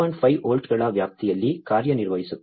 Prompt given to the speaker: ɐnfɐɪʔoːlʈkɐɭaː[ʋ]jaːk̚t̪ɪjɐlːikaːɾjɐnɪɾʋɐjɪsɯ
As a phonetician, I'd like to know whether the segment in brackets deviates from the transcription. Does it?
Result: no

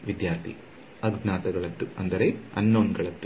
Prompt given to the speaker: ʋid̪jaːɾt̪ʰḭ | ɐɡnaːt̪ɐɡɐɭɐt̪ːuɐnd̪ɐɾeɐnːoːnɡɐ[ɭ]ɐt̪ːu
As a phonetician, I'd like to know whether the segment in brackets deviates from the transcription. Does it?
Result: no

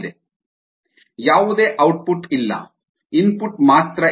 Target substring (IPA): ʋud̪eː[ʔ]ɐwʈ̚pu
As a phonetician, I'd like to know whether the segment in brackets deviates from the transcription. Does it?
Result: no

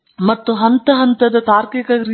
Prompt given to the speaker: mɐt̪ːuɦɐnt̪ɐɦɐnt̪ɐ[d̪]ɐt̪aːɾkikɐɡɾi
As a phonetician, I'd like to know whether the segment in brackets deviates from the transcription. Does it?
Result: no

